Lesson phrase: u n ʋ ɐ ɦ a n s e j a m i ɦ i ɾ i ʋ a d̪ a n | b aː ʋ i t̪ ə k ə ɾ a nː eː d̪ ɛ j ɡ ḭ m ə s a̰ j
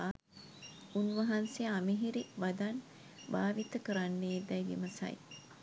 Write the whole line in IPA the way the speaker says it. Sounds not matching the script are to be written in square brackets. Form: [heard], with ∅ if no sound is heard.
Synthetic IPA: u n ʋ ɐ ɦ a n s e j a m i ɦ i ɾ i ʋ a d̪ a n | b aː ʋ i t̪ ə k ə ɾ a nː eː d̪ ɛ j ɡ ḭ m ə s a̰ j

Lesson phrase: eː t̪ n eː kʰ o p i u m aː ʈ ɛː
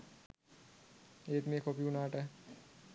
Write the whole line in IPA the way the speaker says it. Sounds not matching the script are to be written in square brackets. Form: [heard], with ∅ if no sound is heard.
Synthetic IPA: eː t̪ [m] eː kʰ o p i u [n] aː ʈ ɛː

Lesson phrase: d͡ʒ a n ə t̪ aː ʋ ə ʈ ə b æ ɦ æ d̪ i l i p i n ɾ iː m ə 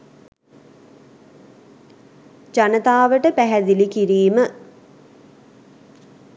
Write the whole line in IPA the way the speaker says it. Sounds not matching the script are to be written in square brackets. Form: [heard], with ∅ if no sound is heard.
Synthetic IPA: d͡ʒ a n ə t̪ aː ʋ ə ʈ ə [p] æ ɦ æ d̪ i l i [k] i [∅] ɾ iː m ə

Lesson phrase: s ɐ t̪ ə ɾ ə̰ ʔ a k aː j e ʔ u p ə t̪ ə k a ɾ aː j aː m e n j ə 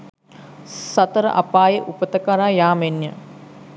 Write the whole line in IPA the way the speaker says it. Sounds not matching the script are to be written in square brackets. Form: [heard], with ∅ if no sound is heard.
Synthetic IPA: s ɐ t̪ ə ɾ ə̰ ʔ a [p] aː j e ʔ u p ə t̪ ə k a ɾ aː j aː m e n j ə

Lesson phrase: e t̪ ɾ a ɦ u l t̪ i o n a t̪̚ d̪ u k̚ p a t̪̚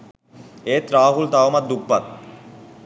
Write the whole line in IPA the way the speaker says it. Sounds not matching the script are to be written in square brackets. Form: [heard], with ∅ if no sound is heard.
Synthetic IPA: e t̪ ɾ a ɦ u l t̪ [a] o [m] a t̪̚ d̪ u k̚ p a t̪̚

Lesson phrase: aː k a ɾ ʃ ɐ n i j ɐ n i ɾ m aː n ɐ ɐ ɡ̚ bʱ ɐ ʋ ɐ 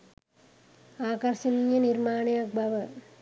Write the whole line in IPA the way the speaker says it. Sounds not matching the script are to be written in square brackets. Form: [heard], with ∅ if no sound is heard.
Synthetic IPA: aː k [ɐ] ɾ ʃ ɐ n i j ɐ n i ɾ m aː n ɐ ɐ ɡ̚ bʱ ɐ ʋ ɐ

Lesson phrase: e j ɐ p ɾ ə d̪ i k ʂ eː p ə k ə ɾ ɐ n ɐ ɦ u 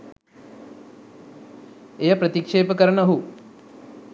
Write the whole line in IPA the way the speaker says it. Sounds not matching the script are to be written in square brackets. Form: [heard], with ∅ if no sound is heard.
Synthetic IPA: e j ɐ p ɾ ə [t̪] i k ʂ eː p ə k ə ɾ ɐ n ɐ ɦ u

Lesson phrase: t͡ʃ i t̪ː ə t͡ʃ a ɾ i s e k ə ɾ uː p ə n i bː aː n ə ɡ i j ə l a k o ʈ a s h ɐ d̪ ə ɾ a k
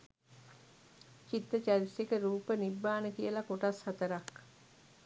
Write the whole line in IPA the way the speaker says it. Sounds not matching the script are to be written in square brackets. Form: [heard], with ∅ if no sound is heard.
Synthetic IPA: t͡ʃ i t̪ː ə t͡ʃ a ɾ i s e k ə ɾ uː p ə n i bː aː n ə [k] i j ə l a k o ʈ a s h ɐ [t̪] ə ɾ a k

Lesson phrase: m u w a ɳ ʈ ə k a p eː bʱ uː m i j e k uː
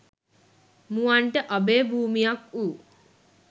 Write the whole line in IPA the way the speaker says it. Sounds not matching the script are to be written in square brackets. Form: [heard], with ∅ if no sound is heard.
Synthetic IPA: m u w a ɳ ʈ ə [ʔ] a [b] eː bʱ uː m i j [a] k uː

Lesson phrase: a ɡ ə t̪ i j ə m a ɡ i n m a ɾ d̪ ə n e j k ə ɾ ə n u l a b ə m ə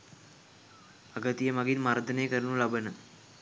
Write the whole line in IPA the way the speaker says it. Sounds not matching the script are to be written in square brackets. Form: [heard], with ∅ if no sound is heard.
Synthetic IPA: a ɡ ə t̪ i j ə m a ɡ i n m a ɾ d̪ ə n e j k ə ɾ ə n u l a b ə [n] ə

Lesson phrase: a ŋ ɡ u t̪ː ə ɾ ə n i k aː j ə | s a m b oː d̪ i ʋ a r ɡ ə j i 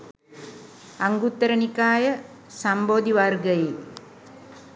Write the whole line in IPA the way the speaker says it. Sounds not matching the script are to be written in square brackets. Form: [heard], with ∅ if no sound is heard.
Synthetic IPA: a ŋ ɡ u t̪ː ə ɾ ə n i k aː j ə | s a m b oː d̪ i ʋ a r ɡ ə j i

